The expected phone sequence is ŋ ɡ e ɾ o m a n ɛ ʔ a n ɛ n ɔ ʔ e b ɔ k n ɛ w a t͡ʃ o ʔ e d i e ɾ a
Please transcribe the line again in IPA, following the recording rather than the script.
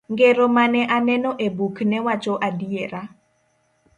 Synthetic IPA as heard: ŋ ɡ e ɾ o m a n ɛ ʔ a n ɛ n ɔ ʔ e b u k n ɛ w a t͡ʃ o ʔ a d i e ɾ a

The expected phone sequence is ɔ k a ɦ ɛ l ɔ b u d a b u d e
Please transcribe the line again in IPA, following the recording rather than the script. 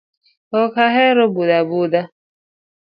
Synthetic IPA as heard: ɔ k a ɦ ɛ ɾ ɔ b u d a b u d a

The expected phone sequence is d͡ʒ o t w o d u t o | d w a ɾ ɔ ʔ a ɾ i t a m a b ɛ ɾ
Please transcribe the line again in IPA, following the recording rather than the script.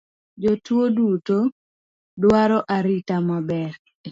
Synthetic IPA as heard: d͡ʒ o t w o d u t o | d w a ɾ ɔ ʔ a ɾ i t a m a b ɛ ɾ

